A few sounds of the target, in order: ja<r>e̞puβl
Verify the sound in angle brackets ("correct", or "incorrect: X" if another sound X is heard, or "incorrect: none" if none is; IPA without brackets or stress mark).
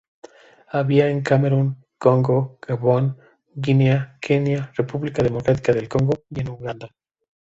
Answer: correct